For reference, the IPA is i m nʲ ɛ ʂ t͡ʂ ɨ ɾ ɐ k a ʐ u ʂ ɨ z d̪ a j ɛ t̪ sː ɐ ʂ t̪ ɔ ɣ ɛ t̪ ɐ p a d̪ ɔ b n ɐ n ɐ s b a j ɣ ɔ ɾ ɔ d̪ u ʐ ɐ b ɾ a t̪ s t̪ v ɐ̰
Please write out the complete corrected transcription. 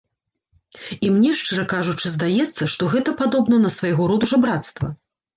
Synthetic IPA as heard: i m nʲ ɛ ʂ t͡ʂ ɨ ɾ ɐ k a ʐ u t͡ʂ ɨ z d̪ a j ɛ t̪ sː ɐ ʂ t̪ ɔ ɣ ɛ t̪ ɐ p a d̪ ɔ b n ɐ n ɐ s v a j ɣ ɔ ɾ ɔ d̪ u ʐ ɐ b ɾ a t̪ s t̪ v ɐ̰